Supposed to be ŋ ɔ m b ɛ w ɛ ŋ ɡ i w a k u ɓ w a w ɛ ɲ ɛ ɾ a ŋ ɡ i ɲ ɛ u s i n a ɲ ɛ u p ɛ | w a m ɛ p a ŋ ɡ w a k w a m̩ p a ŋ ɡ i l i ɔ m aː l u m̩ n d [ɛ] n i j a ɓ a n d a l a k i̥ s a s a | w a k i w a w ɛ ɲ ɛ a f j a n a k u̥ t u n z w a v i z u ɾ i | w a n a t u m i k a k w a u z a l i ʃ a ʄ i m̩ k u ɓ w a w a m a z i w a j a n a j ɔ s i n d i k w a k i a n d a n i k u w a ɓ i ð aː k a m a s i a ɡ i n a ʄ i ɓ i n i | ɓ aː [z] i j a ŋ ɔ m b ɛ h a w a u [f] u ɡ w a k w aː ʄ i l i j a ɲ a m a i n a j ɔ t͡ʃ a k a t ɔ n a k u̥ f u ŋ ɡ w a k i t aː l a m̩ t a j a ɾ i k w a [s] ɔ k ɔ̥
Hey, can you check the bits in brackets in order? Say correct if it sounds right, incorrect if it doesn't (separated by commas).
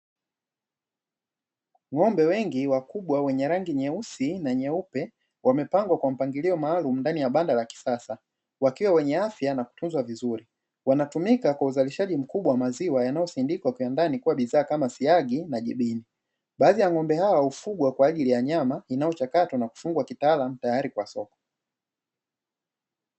incorrect, incorrect, correct, correct